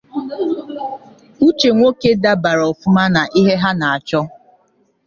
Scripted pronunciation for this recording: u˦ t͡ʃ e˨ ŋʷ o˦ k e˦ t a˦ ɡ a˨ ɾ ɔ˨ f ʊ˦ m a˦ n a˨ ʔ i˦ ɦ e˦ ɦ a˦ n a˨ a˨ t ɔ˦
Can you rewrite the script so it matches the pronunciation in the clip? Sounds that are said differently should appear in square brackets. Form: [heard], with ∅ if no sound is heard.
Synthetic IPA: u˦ t͡ʃ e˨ ŋʷ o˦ k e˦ [d] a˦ [b] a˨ ɾ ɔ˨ f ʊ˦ m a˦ n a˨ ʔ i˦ ɦ e˦ ɦ a˦ n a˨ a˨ [t͡ʃ] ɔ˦